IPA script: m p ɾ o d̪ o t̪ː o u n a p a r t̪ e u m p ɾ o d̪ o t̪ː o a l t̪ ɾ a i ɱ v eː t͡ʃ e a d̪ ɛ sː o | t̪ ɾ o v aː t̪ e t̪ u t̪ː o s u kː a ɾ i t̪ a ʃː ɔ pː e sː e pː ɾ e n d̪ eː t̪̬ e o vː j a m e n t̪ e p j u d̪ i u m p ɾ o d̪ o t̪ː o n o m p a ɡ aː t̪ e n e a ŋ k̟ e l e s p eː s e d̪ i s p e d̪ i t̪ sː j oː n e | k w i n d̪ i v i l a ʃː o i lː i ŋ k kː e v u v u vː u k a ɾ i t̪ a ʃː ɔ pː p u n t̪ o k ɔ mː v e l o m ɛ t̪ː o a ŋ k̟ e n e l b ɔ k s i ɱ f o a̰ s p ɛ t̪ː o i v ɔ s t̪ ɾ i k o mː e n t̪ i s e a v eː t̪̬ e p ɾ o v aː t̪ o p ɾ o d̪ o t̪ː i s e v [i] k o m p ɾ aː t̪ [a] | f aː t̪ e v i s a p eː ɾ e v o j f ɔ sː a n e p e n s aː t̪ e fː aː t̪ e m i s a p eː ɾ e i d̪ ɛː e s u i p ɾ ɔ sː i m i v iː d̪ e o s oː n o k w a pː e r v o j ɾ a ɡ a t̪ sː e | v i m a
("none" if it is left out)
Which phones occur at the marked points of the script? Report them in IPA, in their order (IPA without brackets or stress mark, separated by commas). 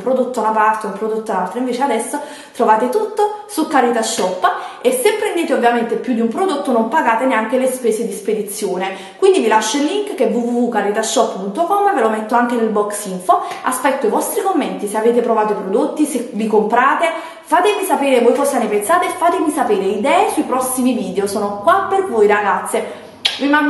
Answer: i, e